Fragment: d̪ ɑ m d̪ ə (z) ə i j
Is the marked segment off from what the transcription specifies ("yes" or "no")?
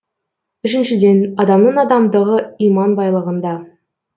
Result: yes